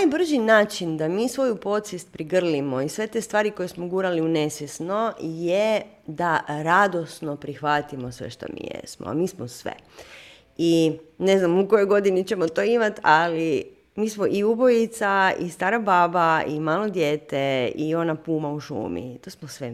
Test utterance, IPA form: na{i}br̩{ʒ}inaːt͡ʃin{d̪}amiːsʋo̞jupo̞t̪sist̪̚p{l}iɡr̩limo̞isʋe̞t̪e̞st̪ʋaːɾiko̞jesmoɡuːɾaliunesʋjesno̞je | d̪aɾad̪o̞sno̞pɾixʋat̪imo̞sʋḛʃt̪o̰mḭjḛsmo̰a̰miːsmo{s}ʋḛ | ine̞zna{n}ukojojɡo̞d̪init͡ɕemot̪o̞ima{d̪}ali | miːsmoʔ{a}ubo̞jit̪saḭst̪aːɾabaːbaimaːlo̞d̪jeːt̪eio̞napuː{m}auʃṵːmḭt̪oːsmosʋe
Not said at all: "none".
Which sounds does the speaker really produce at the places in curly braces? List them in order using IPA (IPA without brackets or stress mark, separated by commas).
j, ʒ, d̪, ɾ, s, m, t̪, i, m